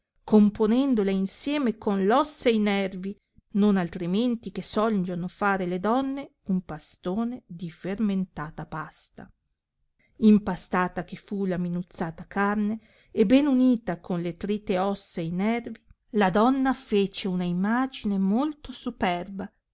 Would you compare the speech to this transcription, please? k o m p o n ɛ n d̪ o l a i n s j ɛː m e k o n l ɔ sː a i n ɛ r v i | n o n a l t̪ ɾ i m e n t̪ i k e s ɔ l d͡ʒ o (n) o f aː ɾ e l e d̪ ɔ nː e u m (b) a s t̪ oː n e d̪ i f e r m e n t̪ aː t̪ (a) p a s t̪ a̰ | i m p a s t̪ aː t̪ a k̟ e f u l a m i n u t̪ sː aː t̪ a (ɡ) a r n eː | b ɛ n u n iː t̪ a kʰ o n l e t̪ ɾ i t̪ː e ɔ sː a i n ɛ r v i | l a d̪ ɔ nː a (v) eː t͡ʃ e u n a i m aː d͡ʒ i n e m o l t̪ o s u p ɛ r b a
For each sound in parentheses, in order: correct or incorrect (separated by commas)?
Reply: correct, incorrect, correct, incorrect, incorrect